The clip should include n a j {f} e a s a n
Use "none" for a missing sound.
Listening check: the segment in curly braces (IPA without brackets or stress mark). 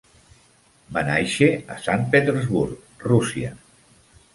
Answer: ʃ